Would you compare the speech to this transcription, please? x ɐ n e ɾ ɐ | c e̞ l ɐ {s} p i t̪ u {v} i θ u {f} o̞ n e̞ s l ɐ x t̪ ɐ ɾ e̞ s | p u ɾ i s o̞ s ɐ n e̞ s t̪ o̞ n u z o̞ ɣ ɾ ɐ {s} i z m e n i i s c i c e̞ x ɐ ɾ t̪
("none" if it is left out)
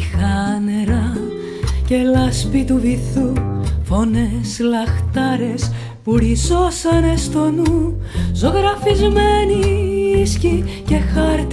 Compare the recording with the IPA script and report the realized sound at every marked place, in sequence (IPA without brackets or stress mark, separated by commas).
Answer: s, v, f, f